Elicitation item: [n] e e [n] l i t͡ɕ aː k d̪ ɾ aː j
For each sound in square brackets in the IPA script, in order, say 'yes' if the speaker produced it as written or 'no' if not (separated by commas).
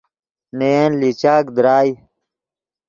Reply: yes, yes